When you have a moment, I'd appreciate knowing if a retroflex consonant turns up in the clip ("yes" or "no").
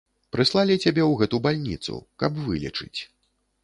yes